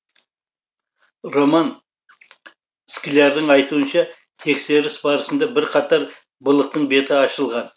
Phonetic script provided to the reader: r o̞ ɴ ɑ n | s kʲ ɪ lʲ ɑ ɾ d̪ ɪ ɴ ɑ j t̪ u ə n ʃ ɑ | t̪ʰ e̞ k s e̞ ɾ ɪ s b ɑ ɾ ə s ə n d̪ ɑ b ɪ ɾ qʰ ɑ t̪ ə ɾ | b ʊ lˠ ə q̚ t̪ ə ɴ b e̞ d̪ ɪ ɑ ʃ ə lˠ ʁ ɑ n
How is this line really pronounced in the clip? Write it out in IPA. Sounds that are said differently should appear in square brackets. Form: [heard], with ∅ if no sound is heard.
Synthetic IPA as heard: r o̞ [m] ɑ n | s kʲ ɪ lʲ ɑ ɾ d̪ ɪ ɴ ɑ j t̪ u ə n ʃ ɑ | t̪ʰ e̞ k s e̞ ɾ ɪ s b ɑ ɾ ə s ə n d̪ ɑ b ɪ ɾ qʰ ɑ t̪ [ɑ] ɾ | b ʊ lˠ ə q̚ t̪ ə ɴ b e̞ [t̪] ɪ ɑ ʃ ə lˠ ʁ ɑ n